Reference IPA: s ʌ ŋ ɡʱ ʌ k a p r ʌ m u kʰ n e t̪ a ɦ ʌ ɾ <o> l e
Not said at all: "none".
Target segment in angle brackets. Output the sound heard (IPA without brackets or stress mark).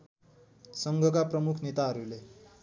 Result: u